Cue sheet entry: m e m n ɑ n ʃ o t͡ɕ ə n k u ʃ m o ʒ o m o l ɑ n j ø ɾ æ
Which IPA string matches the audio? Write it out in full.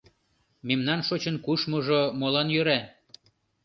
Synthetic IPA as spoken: m e m n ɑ n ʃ o t͡ɕ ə n k u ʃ m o ʒ o m o l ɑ n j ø ɾ æ